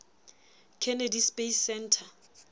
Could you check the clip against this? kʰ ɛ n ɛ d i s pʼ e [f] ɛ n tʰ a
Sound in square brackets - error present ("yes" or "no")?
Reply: yes